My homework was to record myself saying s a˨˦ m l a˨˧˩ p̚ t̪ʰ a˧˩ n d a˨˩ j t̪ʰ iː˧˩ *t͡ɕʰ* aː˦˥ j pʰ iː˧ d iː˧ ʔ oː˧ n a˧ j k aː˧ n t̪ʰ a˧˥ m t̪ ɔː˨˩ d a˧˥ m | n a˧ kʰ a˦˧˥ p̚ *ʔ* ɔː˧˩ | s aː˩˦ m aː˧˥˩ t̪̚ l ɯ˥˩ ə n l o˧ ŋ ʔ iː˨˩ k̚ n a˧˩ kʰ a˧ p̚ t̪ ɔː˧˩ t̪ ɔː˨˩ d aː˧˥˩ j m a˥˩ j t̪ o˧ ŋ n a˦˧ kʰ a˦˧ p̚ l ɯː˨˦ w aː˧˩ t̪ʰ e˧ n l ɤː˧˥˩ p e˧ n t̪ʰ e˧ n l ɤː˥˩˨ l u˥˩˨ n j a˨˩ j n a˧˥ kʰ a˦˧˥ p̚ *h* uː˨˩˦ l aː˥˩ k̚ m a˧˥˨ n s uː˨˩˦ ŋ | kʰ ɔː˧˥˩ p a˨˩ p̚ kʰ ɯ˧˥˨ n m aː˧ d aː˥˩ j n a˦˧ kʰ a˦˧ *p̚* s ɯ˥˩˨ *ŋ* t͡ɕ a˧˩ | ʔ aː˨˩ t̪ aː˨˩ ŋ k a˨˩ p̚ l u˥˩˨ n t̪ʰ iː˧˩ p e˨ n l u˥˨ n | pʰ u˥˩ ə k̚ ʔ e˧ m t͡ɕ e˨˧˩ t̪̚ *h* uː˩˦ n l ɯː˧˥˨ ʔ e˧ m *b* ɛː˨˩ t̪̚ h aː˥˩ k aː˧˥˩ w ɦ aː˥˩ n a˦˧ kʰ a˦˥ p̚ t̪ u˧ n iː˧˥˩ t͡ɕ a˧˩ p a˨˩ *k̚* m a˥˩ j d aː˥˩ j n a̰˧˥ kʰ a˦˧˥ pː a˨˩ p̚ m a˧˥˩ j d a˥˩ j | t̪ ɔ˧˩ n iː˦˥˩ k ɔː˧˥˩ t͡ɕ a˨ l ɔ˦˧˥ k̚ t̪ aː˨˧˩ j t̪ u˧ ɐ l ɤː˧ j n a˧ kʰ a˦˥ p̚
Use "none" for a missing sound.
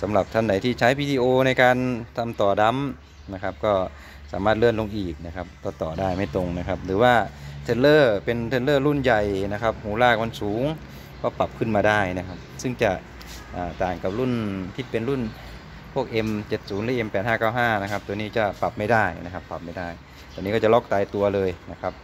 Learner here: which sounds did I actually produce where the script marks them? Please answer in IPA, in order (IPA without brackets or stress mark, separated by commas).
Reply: t͡ɕʰ, k, h, p̚, ŋ, s, p, p̚